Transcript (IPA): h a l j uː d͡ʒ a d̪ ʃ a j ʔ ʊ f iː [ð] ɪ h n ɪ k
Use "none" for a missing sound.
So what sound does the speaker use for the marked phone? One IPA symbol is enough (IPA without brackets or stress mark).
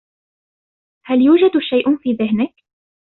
ð